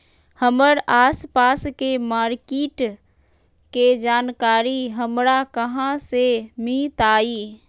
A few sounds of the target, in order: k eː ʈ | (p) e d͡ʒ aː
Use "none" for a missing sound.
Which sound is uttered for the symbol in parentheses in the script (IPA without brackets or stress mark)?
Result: k